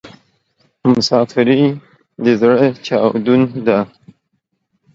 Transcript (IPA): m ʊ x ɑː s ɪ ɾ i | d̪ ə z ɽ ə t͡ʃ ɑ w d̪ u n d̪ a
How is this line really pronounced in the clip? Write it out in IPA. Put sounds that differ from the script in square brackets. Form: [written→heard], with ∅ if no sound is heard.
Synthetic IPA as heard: m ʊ [x→s] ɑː [s→f] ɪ ɾ i | d̪ ə z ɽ ə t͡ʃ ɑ w d̪ u n d̪ a